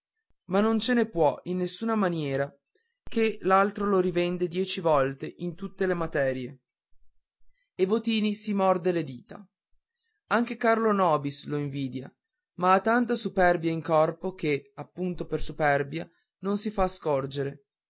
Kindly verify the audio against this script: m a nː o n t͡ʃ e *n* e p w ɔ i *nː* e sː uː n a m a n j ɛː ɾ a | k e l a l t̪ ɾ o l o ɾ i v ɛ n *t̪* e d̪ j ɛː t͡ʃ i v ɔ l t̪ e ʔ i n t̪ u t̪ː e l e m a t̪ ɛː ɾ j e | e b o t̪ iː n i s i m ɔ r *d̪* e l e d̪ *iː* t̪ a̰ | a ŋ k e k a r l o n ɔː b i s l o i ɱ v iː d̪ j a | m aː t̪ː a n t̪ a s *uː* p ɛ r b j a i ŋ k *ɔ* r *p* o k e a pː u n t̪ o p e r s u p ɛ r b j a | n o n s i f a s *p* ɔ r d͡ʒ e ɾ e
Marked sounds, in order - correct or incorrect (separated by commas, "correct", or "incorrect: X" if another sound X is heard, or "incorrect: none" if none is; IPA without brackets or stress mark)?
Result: correct, correct, incorrect: d̪, correct, correct, incorrect: u, correct, correct, incorrect: k